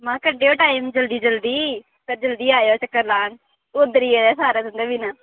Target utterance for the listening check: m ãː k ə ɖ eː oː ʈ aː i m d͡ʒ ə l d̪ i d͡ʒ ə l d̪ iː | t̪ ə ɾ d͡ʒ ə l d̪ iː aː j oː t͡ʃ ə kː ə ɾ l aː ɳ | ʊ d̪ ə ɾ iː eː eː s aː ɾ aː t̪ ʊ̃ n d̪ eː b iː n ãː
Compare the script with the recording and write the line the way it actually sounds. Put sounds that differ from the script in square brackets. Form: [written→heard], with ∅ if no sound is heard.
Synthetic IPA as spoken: m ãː k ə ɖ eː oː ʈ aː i m d͡ʒ ə l d̪ [i→iː] d͡ʒ ə l d̪ iː | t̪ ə ɾ d͡ʒ ə l d̪ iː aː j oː t͡ʃ ə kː ə ɾ l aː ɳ | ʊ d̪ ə ɾ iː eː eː s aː ɾ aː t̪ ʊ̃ n d̪ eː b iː n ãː

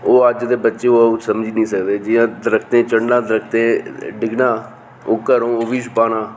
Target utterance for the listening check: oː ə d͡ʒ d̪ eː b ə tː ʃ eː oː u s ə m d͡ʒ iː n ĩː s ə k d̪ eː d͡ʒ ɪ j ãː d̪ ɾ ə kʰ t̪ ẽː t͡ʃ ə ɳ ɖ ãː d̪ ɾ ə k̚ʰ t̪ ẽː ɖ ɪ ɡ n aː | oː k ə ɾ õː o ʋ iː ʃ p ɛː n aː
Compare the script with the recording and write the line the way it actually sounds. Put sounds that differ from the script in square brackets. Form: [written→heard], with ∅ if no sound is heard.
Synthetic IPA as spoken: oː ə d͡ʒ d̪ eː b ə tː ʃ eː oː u s ə m d͡ʒ iː n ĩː s ə k d̪ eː d͡ʒ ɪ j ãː d̪ ɾ ə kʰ t̪ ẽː t͡ʃ ə ɳ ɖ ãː d̪ ɾ ə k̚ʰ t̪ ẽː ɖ ɪ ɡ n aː | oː k ə ɾ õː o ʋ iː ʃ p [ɛː→aː] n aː

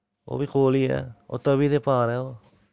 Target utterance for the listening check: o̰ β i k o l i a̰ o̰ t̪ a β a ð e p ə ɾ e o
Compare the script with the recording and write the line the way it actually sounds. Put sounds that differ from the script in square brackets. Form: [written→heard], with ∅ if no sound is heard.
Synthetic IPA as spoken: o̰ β i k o l i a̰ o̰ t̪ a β [a→i] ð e p [ə→a] ɾ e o

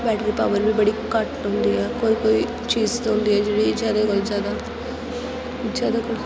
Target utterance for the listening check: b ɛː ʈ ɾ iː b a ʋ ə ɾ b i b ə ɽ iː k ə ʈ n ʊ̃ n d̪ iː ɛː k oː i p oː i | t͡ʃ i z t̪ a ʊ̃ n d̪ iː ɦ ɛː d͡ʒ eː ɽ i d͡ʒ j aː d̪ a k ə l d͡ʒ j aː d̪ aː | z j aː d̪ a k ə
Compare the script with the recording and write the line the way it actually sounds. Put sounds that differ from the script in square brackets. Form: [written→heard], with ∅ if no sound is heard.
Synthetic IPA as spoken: b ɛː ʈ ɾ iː [b→p] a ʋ ə ɾ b i b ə ɽ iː k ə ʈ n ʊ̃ n d̪ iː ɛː k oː i [p→k] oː i | t͡ʃ [i→iː] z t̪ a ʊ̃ n d̪ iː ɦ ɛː d͡ʒ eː ɽ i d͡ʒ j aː d̪ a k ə l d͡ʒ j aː d̪ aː | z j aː d̪ a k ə

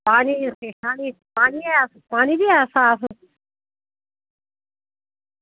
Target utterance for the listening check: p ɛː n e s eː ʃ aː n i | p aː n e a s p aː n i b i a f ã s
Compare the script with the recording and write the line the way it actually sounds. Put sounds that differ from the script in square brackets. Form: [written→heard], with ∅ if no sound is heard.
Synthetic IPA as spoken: p [ɛː→aː] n [e→i] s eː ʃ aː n i | p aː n [e→i] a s p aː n i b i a [f→s] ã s

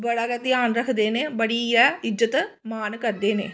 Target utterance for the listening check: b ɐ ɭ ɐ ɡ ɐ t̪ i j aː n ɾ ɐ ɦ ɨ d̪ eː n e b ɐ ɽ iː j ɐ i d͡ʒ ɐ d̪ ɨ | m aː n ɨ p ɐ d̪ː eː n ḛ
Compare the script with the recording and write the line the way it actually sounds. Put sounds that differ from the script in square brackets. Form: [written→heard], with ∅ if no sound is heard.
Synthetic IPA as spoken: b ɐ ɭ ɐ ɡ ɐ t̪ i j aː n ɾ ɐ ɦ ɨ d̪ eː n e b ɐ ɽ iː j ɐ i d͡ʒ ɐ [d̪→t̪] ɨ | m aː n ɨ [p→k] ɐ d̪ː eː n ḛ

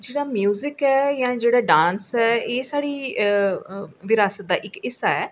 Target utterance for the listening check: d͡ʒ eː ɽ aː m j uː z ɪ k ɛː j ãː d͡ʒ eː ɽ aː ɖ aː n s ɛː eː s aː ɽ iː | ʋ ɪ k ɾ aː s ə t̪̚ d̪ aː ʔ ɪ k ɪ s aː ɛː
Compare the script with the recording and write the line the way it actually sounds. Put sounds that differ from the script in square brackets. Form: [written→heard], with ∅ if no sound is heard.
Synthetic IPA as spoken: d͡ʒ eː ɽ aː m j uː z ɪ k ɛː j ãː d͡ʒ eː ɽ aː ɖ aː n s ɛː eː s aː ɽ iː | ʋ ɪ [k→∅] ɾ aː s ə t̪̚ d̪ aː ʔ ɪ k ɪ s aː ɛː

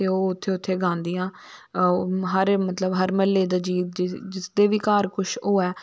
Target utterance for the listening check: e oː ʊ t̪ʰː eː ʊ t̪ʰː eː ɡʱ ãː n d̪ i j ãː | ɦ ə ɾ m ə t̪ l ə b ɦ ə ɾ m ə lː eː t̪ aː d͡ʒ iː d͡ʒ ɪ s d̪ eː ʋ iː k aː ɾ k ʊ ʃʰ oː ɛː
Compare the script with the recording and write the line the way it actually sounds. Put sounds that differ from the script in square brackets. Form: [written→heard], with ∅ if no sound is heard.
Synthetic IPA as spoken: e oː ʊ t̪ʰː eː ʊ t̪ʰː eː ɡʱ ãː n d̪ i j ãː | ɦ ə ɾ m ə t̪ l ə b ɦ ə ɾ m ə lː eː [t̪→d̪] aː d͡ʒ iː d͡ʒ ɪ s d̪ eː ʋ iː k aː ɾ k ʊ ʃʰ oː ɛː

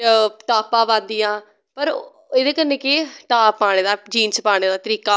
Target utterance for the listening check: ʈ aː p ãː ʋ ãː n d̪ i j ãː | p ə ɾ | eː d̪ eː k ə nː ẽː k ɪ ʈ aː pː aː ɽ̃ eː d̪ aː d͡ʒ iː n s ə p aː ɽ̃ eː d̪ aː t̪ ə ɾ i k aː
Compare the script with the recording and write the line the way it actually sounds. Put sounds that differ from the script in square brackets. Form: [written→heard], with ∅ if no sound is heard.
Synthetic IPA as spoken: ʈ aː p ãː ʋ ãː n d̪ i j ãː | p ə ɾ | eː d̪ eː k ə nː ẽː k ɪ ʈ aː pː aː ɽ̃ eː d̪ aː d͡ʒ iː n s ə p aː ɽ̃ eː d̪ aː t̪ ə ɾ [i→iː] k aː

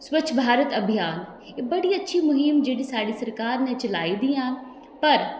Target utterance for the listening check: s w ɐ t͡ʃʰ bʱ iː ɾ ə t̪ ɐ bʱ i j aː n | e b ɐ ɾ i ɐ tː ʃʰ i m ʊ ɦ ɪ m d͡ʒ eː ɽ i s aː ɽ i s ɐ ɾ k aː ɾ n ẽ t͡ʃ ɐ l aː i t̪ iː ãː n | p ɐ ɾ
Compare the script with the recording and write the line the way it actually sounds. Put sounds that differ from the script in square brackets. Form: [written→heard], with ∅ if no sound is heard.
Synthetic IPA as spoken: s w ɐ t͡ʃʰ bʱ [iː→aː] ɾ ə t̪ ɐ bʱ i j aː n | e b ɐ [ɾ→ɽ] i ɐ tː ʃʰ i m ʊ ɦ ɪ m d͡ʒ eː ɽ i s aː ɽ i s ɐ ɾ k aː ɾ n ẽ t͡ʃ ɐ l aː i [t̪→d̪] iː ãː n | p ɐ ɾ

